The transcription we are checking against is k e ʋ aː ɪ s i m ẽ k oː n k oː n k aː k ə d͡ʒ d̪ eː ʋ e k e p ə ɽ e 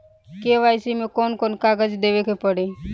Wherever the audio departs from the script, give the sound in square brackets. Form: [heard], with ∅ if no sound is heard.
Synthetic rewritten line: k e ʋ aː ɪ s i m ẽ k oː n k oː n k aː [ɡ] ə d͡ʒ d̪ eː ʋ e k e p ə ɽ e